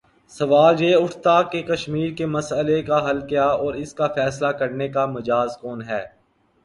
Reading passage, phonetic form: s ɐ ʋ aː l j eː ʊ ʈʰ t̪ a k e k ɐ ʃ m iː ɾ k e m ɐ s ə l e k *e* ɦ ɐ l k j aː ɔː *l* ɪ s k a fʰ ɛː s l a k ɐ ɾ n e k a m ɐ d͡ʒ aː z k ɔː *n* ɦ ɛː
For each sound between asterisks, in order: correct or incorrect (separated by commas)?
incorrect, incorrect, correct